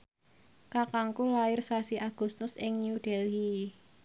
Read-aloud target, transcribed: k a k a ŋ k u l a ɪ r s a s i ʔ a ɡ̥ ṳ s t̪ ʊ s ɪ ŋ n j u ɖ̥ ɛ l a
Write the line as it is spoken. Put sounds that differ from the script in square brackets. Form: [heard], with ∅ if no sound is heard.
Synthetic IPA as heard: k a k a ŋ k u l a ɪ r s a s i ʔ a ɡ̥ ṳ s t̪ ʊ s ɪ ŋ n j u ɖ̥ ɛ l [i]